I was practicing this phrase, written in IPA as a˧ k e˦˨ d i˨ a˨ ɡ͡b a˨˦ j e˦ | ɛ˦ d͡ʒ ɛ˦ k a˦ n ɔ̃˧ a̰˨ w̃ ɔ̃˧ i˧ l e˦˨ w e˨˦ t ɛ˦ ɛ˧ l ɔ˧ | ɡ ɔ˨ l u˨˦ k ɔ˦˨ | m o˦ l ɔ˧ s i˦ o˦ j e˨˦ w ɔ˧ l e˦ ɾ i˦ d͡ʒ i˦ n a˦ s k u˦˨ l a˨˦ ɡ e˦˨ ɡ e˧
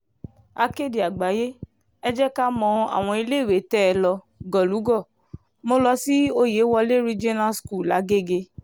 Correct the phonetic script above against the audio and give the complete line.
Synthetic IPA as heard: a˧ k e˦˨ d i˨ a˨ ɡ͡b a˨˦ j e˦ | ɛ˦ d͡ʒ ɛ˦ k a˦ m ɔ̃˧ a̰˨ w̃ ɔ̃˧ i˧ l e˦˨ w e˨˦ t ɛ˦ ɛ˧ l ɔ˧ | ɡ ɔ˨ l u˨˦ ɡ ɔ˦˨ | m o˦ l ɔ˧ s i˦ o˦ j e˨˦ w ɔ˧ l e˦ ɾ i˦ d͡ʒ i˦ n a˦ s k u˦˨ l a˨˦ ɡ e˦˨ ɡ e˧